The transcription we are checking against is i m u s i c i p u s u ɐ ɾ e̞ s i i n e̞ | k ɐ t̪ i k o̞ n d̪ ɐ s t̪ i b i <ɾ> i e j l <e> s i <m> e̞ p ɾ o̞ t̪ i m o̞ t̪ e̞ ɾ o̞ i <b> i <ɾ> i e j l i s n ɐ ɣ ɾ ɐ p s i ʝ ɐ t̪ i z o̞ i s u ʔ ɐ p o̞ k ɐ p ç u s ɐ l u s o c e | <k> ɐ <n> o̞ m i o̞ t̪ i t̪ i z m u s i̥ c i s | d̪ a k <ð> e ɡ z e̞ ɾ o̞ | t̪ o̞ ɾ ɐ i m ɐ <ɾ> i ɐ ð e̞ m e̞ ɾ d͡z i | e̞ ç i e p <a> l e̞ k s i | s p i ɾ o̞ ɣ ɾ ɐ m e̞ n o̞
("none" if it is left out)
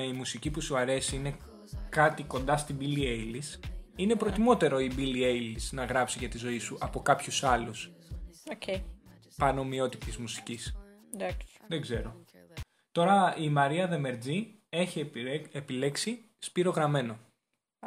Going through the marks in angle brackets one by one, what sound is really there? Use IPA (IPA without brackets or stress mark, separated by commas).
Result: l, i, n, b, l, p, n, ð, ɾ, i